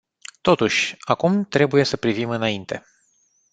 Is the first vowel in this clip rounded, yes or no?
yes